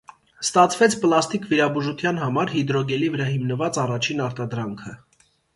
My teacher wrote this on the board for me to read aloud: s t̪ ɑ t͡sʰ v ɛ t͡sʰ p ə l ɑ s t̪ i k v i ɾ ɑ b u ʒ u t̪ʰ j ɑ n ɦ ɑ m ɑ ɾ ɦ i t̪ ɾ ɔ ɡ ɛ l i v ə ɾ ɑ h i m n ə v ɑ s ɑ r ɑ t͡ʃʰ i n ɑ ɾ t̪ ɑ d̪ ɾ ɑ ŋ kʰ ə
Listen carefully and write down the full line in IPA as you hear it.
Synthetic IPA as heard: s t̪ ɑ t͡sʰ v ɛ t͡sʰ p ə l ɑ s t̪ i k v i ɾ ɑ b u ʒ u t̪ʰ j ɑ n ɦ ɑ m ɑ ɾ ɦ i d̪ ɾ ɔ ɡ ɛ l i v ə ɾ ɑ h i m n ə v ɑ t͡s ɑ r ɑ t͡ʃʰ i n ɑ ɾ t̪ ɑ d̪ ɾ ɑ ŋ kʰ ə